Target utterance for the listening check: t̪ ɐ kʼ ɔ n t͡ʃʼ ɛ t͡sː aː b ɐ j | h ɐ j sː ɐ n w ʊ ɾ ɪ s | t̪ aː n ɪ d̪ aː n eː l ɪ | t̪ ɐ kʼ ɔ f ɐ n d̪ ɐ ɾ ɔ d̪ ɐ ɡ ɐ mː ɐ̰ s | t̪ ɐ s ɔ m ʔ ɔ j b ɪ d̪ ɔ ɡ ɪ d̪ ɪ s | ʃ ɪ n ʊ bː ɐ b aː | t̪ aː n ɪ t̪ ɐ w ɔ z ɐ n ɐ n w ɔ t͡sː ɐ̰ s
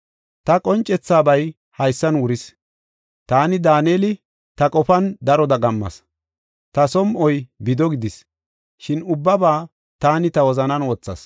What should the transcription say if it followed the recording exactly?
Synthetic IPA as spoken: t̪ ɐ kʼ ɔ n t͡ʃʼ ɛ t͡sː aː b ɐ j | h ɐ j sː ɐ n w ʊ ɾ ɪ s | t̪ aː n ɪ d̪ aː n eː l ɪ | t̪ ɐ kʼ ɔ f ɐ n d̪ ɐ ɾ ɔ d̪ ɐ ɡ ɐ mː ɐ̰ s | t̪ ɐ s ɔ m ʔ ɔ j b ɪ d̪ ɔ ɡ ɪ d̪ ɪ s | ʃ ɪ n ʊ bː ɐ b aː | t̪ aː n ɪ t̪ ɐ w ɔ z ɐ n ɐ n w ɔ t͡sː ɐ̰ s